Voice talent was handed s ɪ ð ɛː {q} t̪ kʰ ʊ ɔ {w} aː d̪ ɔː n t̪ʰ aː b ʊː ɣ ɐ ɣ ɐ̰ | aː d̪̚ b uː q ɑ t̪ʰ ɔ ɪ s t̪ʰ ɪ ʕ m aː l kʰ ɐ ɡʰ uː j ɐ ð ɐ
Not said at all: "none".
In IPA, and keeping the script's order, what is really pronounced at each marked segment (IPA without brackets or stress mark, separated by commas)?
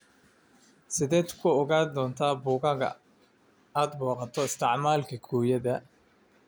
none, ɣ